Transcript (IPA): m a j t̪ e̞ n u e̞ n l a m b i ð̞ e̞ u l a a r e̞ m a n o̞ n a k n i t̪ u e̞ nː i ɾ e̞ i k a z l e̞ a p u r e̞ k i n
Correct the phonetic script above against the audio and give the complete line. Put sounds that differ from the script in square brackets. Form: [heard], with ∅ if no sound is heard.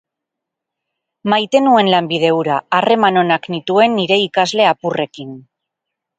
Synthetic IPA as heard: m a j t̪ e̞ n u e̞ n l a m b i ð̞ e̞ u [ɾ] a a r e̞ m a n o̞ n a k n i t̪ u e̞ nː i ɾ e̞ i k a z l e̞ a p u r e̞ k i n